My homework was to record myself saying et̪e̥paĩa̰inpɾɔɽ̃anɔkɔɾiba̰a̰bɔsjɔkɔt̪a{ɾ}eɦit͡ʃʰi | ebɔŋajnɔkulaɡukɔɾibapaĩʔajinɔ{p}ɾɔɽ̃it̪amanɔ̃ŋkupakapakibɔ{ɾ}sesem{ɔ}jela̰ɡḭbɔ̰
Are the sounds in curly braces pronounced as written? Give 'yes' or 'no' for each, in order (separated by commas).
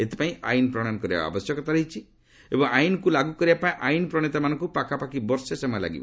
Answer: yes, yes, yes, yes